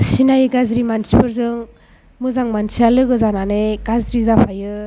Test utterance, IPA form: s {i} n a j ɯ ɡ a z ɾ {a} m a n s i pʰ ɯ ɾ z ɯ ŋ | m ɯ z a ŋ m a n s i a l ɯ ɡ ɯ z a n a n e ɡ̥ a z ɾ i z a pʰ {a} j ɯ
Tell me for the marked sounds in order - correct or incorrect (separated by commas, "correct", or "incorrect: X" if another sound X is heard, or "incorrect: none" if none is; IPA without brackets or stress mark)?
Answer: correct, incorrect: i, correct